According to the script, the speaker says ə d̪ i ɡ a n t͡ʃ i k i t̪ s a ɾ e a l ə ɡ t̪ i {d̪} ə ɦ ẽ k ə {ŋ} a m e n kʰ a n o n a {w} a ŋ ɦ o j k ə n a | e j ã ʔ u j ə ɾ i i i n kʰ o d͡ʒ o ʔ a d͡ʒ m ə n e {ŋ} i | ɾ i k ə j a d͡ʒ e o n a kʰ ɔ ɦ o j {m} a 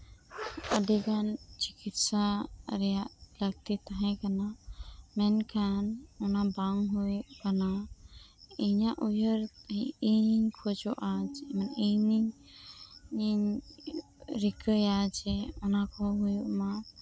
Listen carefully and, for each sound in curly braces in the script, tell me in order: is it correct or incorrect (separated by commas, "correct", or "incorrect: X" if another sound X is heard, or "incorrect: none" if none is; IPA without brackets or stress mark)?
incorrect: t̪, incorrect: n, incorrect: b, incorrect: n, correct